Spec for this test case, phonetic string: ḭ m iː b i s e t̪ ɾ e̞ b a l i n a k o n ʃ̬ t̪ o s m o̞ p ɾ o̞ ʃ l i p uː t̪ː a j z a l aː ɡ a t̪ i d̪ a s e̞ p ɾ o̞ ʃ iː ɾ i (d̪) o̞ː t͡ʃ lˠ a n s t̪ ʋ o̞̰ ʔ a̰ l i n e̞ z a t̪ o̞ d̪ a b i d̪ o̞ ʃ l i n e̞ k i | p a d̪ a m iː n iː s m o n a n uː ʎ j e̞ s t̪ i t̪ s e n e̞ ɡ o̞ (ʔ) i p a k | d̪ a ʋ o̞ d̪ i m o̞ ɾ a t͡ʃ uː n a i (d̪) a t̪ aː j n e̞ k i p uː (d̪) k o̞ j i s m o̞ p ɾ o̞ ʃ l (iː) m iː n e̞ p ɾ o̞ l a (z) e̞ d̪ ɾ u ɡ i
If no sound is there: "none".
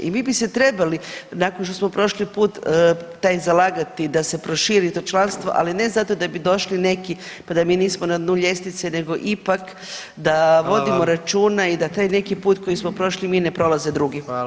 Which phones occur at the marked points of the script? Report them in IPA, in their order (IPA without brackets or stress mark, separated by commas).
t̪, ʔ, d̪, t̪, i, z